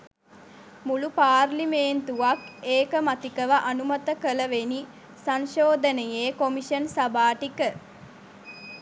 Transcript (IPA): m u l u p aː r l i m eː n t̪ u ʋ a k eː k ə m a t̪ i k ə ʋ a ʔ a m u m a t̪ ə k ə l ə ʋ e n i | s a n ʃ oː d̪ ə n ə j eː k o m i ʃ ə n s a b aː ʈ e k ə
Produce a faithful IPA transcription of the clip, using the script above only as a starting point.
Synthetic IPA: m u l u p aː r l i m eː n t̪ u ʋ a k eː k ə m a t̪ i k ə ʋ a ʔ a n u m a t̪ ə k ə l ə ʋ e n i | s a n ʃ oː d̪ ə n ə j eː k o m i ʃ ə n s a b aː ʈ i k ə